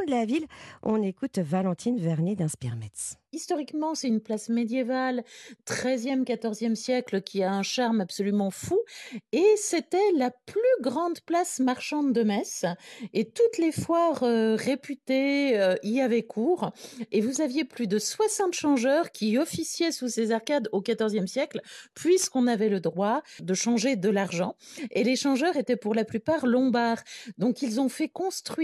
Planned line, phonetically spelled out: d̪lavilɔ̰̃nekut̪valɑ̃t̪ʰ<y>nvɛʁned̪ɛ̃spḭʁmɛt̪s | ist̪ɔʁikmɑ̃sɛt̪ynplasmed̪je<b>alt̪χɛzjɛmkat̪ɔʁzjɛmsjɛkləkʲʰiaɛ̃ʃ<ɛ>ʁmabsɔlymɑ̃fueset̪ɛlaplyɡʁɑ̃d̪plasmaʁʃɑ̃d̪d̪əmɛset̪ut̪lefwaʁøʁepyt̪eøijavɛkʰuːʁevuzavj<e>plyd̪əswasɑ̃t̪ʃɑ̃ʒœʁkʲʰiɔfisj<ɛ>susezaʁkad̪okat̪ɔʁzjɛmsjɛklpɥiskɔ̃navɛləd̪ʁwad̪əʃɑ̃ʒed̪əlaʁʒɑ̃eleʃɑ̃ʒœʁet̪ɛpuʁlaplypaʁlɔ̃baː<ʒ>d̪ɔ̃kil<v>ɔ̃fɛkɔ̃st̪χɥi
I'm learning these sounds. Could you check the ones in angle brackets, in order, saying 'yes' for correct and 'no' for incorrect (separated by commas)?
no, no, no, yes, yes, no, no